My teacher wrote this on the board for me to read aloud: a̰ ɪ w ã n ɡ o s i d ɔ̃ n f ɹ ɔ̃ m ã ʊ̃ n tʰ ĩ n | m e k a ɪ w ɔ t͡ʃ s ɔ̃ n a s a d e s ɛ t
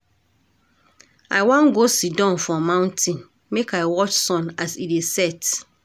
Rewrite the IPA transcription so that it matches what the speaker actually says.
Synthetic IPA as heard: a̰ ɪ w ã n ɡ o s i d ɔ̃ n f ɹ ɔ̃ m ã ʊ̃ n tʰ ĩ n | m e k a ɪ w ɔ t͡ʃ s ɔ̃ n a s i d e s ɛ t